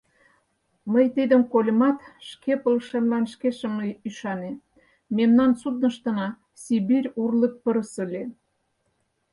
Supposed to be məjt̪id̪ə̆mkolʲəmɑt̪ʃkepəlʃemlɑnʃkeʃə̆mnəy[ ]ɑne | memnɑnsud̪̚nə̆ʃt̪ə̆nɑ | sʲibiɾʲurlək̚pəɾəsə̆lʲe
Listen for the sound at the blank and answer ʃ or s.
ʃ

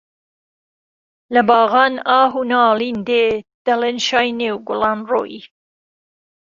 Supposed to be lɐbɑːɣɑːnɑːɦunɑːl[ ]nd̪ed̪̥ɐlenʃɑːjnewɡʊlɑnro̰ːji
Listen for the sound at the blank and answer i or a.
i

